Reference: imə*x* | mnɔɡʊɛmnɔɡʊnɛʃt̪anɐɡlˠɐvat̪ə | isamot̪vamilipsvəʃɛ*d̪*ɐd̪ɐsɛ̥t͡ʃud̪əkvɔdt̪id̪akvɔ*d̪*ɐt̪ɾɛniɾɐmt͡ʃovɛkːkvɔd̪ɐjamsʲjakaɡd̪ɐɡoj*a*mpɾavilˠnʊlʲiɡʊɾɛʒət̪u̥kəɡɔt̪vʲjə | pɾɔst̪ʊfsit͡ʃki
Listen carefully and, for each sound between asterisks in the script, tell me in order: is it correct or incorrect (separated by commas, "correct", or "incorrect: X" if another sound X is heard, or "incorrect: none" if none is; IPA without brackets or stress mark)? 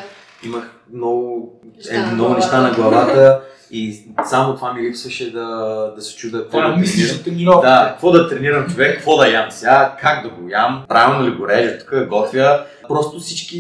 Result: correct, correct, correct, correct